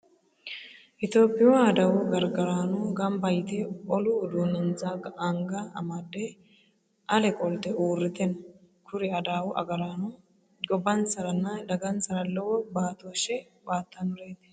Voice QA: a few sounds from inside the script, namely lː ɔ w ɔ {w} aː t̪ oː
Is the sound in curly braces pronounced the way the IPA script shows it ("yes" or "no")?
no